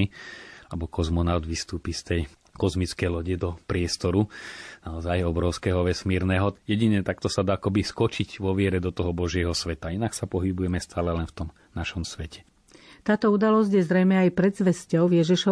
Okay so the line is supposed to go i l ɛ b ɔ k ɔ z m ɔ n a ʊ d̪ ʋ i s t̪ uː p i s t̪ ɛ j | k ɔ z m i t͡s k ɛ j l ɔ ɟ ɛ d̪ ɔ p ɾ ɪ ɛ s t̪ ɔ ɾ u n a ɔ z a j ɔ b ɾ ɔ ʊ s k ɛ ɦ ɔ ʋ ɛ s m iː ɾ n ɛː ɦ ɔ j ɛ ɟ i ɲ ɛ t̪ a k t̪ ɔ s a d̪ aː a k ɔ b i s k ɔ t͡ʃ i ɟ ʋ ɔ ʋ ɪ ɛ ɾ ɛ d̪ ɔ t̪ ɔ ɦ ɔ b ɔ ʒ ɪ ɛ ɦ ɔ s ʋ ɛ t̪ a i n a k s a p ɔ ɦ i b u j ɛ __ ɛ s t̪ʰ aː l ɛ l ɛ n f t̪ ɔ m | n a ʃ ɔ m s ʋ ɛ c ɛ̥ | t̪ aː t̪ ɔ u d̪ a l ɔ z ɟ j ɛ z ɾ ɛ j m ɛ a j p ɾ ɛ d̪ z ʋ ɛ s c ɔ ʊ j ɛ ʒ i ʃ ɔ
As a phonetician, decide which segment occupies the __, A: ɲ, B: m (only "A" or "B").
B